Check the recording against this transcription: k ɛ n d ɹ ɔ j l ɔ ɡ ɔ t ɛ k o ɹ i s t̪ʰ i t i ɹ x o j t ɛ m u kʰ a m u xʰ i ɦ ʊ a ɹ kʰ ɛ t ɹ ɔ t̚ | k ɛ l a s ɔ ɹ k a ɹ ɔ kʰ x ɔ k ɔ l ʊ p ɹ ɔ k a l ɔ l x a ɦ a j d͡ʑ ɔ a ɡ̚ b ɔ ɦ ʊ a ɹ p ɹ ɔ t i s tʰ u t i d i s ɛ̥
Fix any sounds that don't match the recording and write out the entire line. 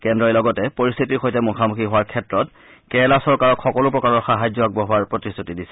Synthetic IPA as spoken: k ɛ n d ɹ ɔ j l ɔ ɡ ɔ t ɛ p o ɹ i s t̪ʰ i t i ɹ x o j t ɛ m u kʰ a m u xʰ i ɦ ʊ a ɹ kʰ ɛ t ɹ ɔ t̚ | k ɛ l a s ɔ ɹ k a ɹ ɔ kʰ x ɔ k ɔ l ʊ p ɹ ɔ k a ɹ ɔ ɹ x a ɦ a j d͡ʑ ɔ a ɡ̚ b ɔ ɦ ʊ a ɹ p ɹ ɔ t i s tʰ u t i d i s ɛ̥